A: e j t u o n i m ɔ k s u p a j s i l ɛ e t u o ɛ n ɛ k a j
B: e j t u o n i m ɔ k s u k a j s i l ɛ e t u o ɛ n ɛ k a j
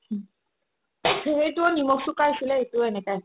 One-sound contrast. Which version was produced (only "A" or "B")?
B